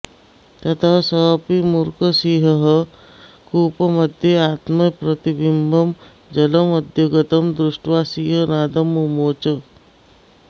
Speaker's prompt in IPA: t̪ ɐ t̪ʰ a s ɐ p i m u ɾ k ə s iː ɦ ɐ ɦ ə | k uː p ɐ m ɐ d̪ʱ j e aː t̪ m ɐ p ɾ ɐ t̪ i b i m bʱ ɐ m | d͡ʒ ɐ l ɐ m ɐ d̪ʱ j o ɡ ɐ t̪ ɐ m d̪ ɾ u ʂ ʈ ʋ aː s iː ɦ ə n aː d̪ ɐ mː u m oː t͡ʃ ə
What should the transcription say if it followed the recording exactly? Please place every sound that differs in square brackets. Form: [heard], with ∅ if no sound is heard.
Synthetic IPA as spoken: t̪ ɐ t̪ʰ a s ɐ p i m u ɾ k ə s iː ɦ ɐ ɦ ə | k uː p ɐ m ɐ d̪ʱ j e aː t̪ m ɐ p ɾ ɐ t̪ i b i m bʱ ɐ m | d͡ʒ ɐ l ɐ m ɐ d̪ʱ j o ɡ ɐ t̪ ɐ m d̪ ɾ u ʂ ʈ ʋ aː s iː ɦ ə n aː d̪ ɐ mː u m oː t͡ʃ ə